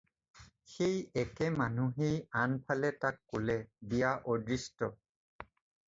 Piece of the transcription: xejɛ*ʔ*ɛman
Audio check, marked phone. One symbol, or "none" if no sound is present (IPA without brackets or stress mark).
k